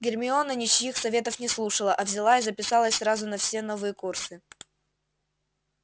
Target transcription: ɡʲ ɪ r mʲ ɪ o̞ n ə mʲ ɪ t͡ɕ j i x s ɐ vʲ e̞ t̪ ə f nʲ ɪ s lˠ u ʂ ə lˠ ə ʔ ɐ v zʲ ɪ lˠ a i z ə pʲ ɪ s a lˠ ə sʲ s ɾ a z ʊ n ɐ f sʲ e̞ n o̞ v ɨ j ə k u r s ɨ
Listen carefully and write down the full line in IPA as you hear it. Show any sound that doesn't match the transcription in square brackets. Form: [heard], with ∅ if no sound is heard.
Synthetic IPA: ɡʲ ɪ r mʲ ɪ o̞ n ə [nʲ] ɪ t͡ɕ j i x s ɐ vʲ e̞ t̪ ə f nʲ ɪ s lˠ u ʂ ə lˠ ə ʔ ɐ v zʲ ɪ lˠ a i z ə pʲ ɪ s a lˠ ə sʲ s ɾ a z ʊ n ɐ f sʲ e̞ n o̞ v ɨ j ə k u r s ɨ